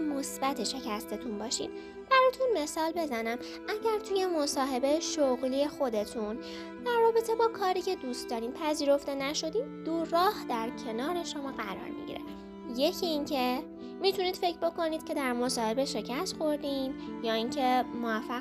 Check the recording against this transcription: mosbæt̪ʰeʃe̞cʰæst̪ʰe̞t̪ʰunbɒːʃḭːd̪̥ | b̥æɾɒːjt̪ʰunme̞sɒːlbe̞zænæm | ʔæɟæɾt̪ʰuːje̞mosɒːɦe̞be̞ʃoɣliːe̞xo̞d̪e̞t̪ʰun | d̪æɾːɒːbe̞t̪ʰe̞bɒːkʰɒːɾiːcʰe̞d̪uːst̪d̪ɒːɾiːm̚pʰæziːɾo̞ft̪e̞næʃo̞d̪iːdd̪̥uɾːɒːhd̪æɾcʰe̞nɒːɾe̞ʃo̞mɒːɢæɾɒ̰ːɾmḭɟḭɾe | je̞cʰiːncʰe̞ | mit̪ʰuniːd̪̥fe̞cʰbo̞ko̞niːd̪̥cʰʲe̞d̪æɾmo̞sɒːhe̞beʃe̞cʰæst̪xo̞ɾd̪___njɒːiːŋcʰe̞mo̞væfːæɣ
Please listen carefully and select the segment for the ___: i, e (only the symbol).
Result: i